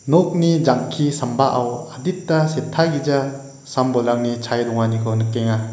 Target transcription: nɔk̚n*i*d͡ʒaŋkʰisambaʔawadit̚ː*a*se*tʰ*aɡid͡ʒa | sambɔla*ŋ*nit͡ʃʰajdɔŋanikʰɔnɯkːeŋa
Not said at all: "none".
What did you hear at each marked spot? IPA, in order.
i, a, tʰ, ŋ

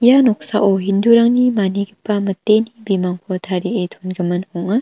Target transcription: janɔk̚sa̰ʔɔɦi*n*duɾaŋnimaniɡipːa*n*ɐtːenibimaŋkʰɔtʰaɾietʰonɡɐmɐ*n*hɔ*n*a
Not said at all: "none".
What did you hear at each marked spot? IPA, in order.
n, m, n, ŋ

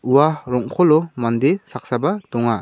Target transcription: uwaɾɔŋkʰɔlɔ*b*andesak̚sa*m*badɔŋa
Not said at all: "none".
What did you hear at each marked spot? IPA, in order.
m, none

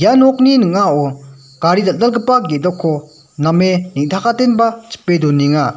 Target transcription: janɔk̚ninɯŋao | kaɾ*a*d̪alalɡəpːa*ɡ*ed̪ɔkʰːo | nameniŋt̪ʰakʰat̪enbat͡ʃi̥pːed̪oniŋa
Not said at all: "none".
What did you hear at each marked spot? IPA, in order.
i, ɡ

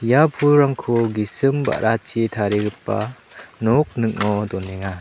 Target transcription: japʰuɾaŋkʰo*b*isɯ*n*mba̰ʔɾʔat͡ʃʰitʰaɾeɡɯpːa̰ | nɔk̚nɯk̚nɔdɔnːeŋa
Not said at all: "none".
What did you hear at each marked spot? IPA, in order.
ɡ, none

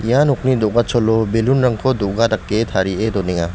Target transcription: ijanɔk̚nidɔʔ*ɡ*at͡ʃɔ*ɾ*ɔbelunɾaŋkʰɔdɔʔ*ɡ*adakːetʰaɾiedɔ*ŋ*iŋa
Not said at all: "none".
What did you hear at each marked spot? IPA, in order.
ɡ, l, ɡ, n

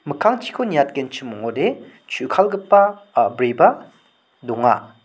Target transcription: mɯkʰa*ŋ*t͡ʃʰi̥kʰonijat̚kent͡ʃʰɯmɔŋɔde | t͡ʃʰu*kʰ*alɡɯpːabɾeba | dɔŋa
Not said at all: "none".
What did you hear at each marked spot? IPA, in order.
ŋ, kʰ

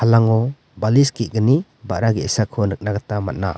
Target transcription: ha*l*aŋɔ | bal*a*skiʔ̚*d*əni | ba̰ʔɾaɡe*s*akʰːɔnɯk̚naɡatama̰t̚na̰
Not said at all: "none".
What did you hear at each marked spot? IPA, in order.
l, i, ɡ, s

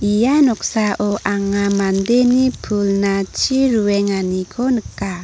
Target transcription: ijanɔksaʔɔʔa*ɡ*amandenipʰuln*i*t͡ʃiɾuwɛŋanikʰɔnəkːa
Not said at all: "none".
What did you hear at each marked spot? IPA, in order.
ŋ, a

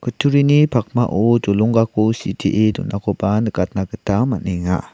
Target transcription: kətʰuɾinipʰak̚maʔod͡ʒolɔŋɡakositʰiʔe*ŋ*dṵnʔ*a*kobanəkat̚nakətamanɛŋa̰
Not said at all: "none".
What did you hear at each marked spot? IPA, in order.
none, a

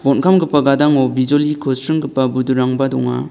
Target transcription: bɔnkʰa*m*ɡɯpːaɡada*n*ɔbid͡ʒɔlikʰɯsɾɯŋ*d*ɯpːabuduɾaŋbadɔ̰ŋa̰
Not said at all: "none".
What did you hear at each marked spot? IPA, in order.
m, ŋ, ɡ

